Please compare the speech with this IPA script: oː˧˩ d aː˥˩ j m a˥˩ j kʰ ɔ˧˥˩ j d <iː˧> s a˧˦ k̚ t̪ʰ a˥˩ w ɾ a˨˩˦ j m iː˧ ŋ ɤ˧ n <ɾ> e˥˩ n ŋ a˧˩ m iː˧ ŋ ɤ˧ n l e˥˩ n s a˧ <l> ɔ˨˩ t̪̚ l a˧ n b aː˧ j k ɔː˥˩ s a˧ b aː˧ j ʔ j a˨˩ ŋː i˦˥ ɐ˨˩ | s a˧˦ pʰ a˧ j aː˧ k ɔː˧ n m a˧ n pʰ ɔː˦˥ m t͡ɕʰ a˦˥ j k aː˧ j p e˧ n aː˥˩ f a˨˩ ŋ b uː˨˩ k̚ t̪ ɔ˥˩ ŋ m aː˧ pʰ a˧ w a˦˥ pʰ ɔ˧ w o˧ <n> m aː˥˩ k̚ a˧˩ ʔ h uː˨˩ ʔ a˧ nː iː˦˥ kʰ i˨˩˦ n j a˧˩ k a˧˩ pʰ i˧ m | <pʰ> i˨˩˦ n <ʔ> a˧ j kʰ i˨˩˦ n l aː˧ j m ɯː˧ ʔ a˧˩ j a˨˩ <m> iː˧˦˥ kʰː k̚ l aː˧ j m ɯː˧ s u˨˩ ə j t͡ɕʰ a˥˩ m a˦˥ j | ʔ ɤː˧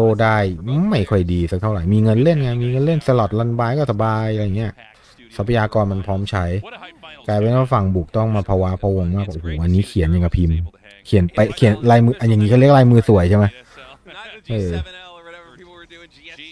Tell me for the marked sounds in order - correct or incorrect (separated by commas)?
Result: correct, incorrect, correct, incorrect, incorrect, incorrect, incorrect